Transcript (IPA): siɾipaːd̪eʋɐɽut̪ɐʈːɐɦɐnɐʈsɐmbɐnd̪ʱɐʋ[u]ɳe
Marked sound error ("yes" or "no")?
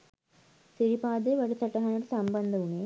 no